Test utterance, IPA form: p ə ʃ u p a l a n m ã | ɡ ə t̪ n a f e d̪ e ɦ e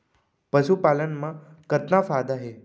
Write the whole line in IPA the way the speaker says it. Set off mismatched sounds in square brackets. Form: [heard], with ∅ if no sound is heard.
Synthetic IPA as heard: p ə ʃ u p a l [ə] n m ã | [k] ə t̪ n a f [a] d̪ [a] ɦ e

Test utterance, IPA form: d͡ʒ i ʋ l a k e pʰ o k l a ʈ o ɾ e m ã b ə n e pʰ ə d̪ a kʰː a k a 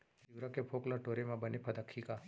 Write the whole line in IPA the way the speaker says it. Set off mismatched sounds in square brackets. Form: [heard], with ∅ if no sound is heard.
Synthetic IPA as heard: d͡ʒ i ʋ [ɾ] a k e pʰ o k l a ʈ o ɾ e m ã b ə n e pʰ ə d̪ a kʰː [i] k a

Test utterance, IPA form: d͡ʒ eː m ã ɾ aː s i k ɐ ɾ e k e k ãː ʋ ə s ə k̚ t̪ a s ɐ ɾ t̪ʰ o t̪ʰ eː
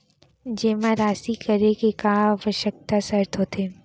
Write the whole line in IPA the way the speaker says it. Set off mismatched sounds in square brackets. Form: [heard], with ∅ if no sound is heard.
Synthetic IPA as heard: d͡ʒ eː m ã ɾ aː s i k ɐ ɾ e k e k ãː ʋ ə [ʃ] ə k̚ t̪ a s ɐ ɾ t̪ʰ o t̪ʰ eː

